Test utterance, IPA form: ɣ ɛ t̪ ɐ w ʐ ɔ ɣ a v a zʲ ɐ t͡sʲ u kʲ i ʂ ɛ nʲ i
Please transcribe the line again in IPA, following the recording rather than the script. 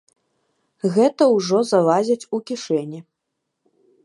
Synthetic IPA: ɣ ɛ t̪ ɐ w ʐ ɔ z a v a zʲ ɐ t͡sʲ u kʲ i ʂ ɛ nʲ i